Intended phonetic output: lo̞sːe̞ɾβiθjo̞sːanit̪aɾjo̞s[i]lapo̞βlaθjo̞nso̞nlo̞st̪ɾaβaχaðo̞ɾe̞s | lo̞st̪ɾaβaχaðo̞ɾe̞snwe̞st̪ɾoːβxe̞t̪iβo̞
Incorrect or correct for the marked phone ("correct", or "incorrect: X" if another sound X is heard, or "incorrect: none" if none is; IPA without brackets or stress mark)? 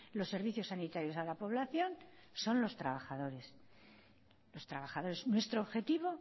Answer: incorrect: a